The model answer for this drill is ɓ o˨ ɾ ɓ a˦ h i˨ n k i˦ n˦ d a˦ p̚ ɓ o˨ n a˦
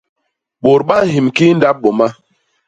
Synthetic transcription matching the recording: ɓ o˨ ɾ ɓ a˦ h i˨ m k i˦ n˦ d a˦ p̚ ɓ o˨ m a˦